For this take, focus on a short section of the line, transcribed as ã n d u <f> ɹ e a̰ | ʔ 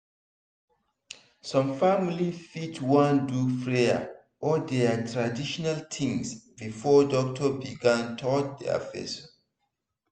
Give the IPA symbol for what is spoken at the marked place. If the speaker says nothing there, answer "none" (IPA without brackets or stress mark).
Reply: f